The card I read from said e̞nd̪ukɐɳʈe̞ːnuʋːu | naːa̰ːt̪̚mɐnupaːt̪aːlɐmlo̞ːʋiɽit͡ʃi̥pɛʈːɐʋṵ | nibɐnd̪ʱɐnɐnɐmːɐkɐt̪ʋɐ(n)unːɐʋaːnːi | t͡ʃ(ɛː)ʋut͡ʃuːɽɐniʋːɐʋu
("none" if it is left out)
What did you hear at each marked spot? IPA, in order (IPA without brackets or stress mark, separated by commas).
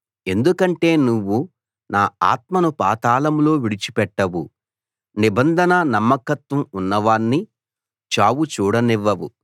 m, aː